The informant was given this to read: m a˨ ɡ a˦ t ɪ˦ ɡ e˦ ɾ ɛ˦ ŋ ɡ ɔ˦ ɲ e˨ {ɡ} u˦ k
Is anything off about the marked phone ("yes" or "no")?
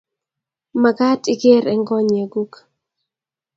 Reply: no